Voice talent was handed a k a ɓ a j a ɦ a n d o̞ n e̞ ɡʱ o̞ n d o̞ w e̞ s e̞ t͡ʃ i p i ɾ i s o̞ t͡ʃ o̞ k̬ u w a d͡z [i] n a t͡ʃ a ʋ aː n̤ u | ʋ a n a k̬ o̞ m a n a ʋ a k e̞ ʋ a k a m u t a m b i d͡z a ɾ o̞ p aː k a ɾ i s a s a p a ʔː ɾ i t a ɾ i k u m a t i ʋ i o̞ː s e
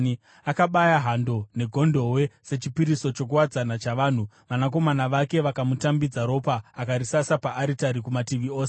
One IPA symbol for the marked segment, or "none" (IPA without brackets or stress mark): a